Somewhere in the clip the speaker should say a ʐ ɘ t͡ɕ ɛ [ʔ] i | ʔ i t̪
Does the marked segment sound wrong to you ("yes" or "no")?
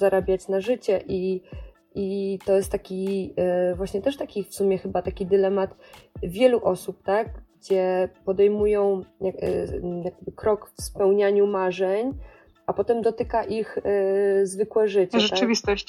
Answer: no